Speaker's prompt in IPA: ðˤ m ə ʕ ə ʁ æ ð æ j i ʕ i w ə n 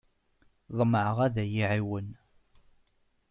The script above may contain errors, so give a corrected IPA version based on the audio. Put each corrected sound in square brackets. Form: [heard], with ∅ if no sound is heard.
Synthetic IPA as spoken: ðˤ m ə ʕ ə ʁ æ ð æ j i ʕ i w ə n